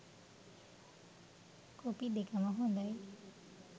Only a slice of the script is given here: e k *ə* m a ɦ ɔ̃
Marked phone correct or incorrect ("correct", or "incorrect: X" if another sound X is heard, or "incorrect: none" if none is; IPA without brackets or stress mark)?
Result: incorrect: a